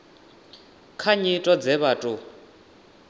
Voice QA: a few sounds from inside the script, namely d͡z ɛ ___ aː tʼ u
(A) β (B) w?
A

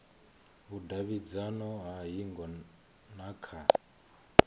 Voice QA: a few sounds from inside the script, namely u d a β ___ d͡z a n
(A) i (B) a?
A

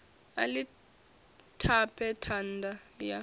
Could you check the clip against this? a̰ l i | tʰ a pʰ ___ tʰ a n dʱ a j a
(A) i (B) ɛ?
B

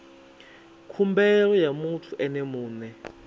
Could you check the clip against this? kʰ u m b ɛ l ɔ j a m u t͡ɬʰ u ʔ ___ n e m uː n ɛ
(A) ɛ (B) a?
A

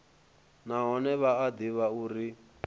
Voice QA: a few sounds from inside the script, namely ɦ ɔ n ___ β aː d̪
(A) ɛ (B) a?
A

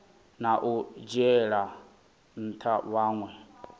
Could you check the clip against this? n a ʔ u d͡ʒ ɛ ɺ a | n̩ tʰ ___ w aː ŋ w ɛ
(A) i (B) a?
B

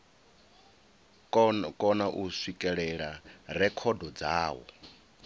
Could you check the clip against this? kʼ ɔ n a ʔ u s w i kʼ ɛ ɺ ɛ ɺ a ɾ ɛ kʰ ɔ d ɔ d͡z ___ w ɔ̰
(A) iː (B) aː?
B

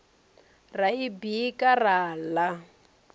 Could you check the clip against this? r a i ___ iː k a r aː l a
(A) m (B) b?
B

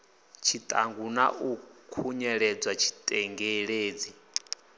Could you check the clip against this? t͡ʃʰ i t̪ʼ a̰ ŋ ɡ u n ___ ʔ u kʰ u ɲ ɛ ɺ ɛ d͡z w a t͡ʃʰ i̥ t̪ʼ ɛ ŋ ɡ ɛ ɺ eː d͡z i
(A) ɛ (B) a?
B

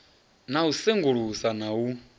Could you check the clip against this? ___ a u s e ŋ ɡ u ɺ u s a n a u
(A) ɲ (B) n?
B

